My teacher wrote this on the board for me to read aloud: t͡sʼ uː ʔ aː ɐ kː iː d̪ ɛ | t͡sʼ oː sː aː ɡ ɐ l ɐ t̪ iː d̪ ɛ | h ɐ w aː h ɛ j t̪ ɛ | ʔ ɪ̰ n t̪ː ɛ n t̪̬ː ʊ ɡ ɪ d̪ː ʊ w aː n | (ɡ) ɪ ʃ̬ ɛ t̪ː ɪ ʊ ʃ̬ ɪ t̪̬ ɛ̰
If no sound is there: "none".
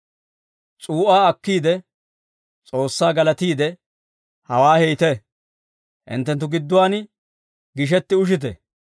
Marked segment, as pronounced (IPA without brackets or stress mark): ɡ